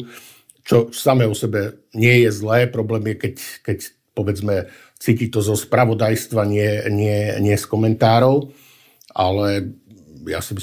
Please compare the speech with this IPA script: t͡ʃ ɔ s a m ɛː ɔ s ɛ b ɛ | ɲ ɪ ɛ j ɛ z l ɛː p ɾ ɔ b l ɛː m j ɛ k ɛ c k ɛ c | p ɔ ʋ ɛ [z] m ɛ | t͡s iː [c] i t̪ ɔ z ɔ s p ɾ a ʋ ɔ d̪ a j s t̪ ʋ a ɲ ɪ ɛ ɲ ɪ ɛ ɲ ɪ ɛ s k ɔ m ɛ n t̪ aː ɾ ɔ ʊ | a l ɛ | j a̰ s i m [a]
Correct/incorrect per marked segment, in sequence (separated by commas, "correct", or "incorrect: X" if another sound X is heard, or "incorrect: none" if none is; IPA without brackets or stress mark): incorrect: d͡z, correct, incorrect: i